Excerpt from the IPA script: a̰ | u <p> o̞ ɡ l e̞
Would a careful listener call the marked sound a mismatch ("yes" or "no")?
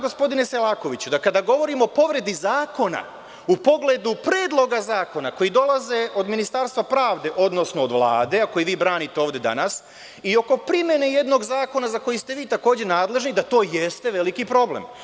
no